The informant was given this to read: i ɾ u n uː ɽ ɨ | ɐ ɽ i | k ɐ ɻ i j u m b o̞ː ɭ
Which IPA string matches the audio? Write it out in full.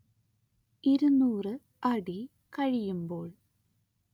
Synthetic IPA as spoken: i ɾ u n uː r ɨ | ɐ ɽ i | k ɐ ɻ i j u m b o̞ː ɭ